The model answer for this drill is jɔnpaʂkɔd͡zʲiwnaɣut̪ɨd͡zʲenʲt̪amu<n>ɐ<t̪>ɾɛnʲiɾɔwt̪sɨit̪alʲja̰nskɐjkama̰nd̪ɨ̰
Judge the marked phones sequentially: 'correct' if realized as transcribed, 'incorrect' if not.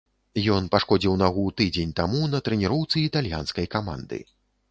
correct, correct

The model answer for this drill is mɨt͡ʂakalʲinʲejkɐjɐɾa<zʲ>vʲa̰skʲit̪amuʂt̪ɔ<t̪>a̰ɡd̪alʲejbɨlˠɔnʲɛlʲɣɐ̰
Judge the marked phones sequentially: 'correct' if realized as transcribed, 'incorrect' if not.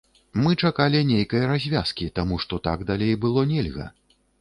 correct, correct

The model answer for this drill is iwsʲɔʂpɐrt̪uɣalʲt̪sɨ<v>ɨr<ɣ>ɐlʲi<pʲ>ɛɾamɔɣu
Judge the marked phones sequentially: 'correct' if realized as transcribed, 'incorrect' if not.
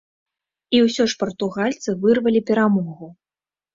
correct, incorrect: v, correct

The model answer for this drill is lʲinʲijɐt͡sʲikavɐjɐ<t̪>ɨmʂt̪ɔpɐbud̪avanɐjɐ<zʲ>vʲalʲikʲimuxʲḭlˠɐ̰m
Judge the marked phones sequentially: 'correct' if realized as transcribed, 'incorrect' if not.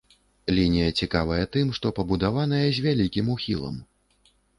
correct, correct

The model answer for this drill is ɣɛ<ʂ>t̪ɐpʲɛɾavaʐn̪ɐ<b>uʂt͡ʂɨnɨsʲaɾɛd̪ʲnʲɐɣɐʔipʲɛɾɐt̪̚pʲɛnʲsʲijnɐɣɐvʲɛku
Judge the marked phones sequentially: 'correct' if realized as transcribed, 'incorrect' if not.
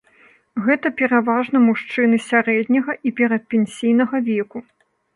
incorrect: none, incorrect: m

